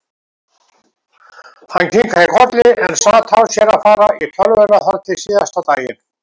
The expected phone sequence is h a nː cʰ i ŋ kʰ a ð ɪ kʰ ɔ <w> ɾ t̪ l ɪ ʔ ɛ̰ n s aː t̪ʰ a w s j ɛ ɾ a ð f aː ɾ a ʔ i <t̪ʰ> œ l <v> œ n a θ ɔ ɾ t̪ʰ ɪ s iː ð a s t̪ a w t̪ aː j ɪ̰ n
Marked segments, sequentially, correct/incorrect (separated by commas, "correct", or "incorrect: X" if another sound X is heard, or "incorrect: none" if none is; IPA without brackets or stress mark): incorrect: none, correct, correct